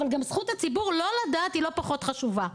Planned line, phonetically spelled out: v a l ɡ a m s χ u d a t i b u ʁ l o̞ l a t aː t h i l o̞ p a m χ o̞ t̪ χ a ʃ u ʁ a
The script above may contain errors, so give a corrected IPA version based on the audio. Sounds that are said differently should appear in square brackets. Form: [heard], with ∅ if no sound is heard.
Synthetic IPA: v a l ɡ a m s χ u [t] a [t͡s] i b u ʁ l o̞ l a [d] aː t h i l o̞ p a [∅] χ o̞ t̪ χ a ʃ u [v] a

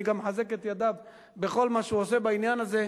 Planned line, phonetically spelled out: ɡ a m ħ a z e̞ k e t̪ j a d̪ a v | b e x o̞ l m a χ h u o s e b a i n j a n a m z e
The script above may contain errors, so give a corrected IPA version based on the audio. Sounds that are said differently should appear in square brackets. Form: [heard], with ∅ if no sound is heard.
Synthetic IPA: ɡ a m ħ a z e̞ k e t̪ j a d̪ a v | b e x o̞ l m a [ʃ] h u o s e b a i n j a n a [∅] z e

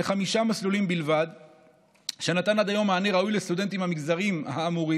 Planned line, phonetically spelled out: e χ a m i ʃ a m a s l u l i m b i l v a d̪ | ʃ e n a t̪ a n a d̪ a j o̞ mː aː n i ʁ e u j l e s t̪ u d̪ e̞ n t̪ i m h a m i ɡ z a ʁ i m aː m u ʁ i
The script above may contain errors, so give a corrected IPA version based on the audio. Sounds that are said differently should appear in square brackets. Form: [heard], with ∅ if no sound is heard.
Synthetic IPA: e χ a m i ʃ a m a s l u l i m b i l v a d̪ | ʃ e n a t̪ a n a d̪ a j o̞ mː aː n [e] ʁ [a] u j l e s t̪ u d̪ e̞ n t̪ i m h a m i ɡ z a ʁ i m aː m u ʁ i

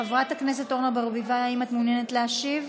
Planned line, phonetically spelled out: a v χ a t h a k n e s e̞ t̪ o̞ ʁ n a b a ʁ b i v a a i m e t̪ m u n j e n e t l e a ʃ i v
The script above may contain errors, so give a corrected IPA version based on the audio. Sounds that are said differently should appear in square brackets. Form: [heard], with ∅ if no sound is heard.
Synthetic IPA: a v [ʁ] a t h a k n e s e̞ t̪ o̞ ʁ n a b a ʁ b i v a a i m [a] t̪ m u n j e n e t l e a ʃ i v

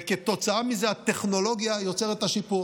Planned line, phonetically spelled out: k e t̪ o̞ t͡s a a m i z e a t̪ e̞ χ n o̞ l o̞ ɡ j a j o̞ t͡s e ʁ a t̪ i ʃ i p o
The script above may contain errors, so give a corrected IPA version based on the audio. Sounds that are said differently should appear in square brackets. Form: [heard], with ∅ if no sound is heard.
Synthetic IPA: k e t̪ o̞ t͡s a a m i z e a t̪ e̞ χ n o̞ l o̞ ɡ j a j o̞ t͡s e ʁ [e] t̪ [a] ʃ i p [u]

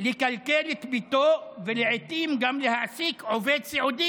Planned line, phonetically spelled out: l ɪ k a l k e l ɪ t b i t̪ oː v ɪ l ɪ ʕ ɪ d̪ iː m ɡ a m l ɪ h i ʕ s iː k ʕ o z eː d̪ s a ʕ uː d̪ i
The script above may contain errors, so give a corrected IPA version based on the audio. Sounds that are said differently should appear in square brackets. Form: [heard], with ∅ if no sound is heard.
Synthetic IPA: l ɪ k a l k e l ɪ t b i t̪ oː v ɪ l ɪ ʕ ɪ [t̪] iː m ɡ a m l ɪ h [a] ʕ s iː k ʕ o [v] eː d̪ s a ʕ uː d̪ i

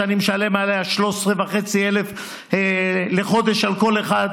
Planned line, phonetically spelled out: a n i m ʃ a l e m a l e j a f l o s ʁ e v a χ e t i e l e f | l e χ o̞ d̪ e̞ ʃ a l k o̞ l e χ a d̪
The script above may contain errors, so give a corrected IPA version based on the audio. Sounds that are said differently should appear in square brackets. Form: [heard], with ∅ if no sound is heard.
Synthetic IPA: a n i m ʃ a l e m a l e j a [ʃ] l o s ʁ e v a χ e [t͡s] i e l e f | l e χ o̞ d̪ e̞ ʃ a l k o̞ l e χ a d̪

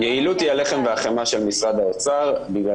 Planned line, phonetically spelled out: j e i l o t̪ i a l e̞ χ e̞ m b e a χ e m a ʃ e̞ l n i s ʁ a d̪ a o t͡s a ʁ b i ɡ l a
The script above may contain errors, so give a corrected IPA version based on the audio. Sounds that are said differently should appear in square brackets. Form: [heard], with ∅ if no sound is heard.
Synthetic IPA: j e i l [u] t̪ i a l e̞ χ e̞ m [v] e a χ e m a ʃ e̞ l [m] i s ʁ a d̪ a o t͡s a ʁ b i ɡ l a

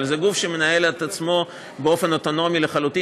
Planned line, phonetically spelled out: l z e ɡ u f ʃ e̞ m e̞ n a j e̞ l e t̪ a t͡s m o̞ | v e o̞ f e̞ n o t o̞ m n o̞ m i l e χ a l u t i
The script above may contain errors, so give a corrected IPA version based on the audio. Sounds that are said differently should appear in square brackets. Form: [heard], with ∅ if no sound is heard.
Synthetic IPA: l z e ɡ u f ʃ e̞ m e̞ n a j e̞ l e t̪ a t͡s m o̞ | [b] e o̞ f e̞ n o t o̞ [∅] n o̞ m i l e χ a l u t i

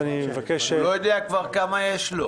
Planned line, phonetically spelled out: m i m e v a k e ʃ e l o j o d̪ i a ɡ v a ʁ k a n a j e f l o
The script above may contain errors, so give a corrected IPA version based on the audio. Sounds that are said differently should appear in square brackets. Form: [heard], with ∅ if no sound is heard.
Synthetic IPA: [n] i m e v a k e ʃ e l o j o d̪ [e] a [k] v a ʁ k a [m] a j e [ʃ] l o

